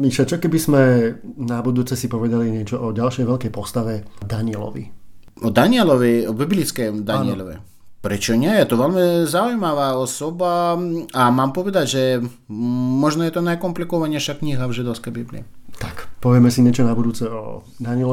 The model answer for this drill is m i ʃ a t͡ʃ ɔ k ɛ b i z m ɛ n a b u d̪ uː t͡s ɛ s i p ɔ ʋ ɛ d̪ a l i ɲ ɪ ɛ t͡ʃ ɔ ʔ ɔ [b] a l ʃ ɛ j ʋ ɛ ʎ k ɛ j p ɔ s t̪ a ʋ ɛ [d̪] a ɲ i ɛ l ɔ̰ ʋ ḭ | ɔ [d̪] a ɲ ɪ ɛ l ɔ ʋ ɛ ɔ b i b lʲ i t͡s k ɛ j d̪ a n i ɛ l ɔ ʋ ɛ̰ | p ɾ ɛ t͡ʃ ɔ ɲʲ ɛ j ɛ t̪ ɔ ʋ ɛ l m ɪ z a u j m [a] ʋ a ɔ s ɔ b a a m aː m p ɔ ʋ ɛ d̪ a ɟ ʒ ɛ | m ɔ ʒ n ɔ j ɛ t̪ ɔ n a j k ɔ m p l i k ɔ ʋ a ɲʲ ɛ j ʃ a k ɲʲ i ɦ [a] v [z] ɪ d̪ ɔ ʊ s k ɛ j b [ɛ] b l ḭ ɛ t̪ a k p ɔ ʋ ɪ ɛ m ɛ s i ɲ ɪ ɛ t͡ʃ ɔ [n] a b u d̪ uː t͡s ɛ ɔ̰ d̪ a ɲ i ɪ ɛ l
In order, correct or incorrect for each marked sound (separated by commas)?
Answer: incorrect, correct, correct, correct, correct, incorrect, incorrect, correct